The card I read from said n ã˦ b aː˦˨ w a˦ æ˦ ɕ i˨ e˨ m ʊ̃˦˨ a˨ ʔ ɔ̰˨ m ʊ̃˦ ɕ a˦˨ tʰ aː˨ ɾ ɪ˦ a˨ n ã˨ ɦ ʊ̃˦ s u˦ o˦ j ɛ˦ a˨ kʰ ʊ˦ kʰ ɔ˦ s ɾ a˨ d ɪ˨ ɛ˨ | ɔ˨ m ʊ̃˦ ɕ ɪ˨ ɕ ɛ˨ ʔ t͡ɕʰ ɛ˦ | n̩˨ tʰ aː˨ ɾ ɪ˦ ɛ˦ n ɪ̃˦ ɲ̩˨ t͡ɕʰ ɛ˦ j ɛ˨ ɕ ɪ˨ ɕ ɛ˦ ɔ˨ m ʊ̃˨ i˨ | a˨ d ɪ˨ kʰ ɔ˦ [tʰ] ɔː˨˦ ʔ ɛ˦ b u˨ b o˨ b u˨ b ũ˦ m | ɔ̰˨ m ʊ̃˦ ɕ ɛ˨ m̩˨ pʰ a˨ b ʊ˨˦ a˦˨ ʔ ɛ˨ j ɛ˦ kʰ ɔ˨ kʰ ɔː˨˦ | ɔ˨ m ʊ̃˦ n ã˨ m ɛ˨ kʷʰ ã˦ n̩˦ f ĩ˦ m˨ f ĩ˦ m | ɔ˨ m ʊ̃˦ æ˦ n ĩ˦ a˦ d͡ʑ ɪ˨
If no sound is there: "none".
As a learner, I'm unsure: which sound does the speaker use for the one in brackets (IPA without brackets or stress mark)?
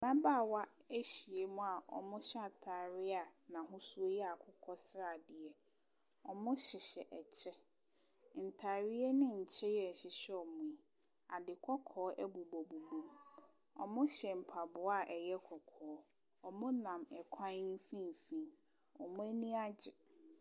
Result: kʰ